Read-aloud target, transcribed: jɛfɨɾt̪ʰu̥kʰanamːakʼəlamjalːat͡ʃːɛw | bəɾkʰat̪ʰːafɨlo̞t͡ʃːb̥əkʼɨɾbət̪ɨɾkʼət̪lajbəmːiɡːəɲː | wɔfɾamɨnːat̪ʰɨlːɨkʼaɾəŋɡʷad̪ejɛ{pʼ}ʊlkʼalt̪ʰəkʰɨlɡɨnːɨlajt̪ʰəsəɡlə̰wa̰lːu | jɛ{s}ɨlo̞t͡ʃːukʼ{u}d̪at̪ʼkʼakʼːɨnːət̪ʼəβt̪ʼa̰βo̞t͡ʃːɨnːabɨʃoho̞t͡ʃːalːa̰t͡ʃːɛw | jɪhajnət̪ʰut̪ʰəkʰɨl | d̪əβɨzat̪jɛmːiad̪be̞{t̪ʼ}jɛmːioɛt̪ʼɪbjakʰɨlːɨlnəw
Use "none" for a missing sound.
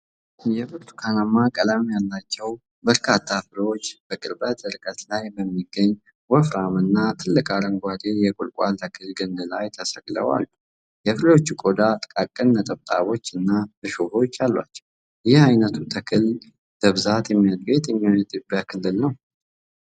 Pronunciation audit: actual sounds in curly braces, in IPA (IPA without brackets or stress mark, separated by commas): kʼ, f, o, t̪